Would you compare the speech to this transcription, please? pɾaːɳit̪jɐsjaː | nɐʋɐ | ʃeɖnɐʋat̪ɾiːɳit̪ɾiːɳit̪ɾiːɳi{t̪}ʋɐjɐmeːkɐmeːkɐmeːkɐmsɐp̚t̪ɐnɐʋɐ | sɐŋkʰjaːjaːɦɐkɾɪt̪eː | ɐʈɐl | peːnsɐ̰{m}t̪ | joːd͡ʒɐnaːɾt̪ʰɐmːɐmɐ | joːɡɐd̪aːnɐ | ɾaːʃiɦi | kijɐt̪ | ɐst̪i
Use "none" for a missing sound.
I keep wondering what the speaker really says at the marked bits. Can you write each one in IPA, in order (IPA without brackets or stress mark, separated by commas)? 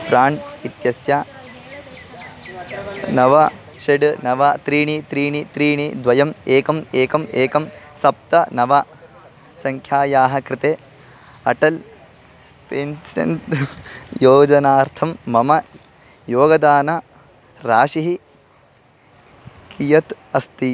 d̪, n